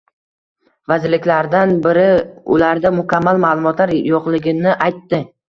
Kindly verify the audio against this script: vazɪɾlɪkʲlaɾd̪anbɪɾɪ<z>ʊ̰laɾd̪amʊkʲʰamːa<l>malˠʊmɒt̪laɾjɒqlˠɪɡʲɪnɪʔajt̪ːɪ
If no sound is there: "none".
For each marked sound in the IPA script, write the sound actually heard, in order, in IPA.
none, l

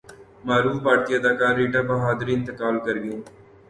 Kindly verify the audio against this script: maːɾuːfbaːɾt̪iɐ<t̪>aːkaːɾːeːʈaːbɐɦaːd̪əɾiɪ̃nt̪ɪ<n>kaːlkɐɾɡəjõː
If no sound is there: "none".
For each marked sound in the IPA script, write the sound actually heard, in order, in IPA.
d̪, none

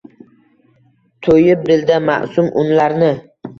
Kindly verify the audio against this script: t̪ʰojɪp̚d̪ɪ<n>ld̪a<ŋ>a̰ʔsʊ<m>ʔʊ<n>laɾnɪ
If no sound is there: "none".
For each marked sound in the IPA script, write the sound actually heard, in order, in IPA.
none, m, m, n

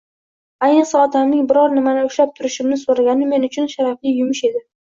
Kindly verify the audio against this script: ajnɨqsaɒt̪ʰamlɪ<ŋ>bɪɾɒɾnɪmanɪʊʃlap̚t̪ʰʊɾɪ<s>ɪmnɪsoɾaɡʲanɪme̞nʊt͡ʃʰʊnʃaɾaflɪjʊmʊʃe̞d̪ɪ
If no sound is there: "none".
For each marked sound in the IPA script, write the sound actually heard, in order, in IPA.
ŋ, ʃ

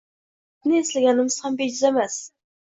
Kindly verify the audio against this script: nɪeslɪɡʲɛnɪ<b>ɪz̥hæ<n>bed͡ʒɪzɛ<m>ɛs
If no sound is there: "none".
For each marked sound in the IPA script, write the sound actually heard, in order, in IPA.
m, m, m

